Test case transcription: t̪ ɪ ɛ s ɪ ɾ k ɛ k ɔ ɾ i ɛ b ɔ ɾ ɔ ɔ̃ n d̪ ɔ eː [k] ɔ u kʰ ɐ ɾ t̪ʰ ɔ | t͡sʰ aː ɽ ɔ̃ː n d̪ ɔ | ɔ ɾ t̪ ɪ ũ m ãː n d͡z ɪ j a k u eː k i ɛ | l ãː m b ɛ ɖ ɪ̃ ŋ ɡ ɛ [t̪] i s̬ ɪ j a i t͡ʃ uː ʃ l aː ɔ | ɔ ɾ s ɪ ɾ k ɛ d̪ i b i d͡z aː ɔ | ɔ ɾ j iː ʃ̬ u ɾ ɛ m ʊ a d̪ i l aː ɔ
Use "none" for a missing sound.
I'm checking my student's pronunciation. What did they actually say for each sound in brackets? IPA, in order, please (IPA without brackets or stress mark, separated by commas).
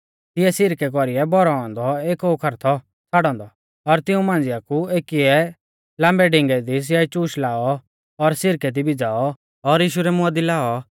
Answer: k, d̪